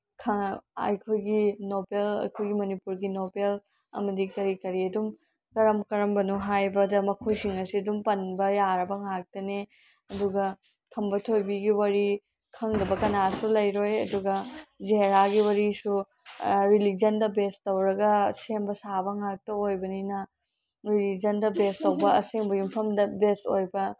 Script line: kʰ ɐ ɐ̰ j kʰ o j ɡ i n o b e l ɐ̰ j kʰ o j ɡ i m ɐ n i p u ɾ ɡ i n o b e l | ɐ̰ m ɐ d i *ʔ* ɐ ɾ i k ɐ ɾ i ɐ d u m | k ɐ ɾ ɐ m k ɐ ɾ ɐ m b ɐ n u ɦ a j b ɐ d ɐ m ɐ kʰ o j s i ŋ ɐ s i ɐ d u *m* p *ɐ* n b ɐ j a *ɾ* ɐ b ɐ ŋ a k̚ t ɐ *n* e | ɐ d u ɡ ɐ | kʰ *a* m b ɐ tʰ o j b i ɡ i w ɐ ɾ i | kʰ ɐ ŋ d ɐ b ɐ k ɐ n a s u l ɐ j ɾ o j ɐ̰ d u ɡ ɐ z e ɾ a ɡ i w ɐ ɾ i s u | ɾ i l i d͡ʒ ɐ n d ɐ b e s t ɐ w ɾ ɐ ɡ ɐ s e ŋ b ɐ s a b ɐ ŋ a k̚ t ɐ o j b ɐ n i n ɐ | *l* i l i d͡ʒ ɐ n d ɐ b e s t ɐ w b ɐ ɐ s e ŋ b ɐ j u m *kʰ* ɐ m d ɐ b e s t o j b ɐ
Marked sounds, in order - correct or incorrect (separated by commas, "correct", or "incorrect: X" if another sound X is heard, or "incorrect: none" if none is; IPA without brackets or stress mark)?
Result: incorrect: k, correct, correct, correct, correct, incorrect: ɐ, incorrect: ɾ, incorrect: pʰ